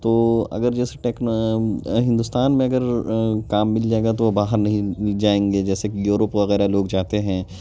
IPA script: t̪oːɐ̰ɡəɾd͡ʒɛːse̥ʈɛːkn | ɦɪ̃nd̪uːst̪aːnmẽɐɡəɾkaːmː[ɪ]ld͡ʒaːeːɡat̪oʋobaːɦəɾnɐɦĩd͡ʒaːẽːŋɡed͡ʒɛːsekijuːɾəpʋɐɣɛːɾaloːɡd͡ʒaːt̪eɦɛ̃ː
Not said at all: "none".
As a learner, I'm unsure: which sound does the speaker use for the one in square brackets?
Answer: ɪ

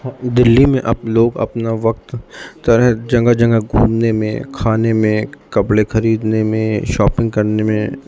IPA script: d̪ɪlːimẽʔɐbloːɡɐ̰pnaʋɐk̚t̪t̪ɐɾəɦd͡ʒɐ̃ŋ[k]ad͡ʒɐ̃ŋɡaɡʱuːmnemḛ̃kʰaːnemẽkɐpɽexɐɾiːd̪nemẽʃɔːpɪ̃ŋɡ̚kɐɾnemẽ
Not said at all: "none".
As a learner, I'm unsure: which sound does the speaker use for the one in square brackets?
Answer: ɡ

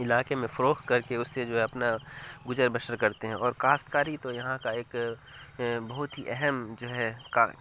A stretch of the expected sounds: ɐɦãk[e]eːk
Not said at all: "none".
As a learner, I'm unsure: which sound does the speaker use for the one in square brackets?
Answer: a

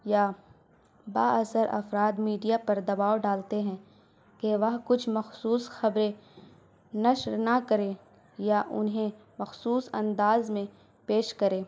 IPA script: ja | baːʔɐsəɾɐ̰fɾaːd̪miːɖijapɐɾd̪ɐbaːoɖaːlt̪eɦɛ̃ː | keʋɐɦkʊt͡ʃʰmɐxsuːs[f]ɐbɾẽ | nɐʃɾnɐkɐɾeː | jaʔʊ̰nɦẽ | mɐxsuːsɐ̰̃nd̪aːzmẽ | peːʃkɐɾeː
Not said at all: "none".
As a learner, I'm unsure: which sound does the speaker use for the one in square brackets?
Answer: x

